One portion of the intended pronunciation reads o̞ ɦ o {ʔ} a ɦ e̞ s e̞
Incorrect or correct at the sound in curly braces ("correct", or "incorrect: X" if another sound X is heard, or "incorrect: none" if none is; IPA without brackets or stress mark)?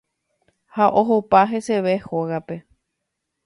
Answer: incorrect: p